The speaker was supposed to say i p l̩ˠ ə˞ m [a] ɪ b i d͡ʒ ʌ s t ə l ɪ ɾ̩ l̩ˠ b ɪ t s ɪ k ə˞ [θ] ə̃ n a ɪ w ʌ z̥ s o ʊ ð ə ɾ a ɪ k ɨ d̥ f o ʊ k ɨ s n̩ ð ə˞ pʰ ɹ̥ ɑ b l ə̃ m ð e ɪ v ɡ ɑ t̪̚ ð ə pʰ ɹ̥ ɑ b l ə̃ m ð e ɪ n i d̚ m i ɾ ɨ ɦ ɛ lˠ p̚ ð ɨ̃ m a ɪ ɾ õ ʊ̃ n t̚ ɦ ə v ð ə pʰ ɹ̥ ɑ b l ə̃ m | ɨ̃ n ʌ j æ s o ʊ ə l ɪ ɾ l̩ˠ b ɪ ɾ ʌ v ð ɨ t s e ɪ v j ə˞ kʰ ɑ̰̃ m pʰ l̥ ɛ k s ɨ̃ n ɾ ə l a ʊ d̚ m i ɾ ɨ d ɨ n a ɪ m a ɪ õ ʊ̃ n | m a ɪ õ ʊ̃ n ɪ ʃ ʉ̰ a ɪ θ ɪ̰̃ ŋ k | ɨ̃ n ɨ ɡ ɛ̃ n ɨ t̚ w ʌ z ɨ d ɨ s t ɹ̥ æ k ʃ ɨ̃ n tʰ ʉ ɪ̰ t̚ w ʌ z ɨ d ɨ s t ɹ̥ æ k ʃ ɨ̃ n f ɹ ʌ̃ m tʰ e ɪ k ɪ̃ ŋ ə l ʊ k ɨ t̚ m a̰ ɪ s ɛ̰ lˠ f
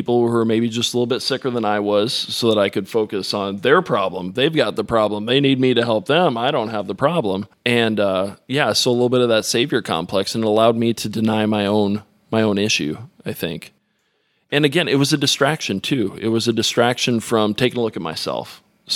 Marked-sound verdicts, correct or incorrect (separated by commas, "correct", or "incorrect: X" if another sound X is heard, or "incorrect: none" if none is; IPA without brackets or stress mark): incorrect: e, incorrect: ð